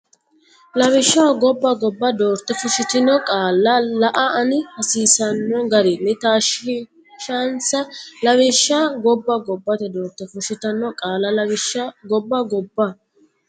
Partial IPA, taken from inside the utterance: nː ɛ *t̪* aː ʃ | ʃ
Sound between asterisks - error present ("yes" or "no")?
no